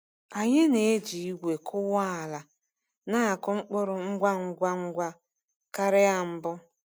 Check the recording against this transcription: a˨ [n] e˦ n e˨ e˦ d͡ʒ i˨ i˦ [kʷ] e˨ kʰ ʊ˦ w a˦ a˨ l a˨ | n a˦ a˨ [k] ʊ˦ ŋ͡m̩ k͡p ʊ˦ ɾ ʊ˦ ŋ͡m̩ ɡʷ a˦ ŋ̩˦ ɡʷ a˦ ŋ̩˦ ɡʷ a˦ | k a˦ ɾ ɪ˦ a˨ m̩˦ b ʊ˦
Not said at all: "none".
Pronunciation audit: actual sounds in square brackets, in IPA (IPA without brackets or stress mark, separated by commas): ɲ, ɡʷ, k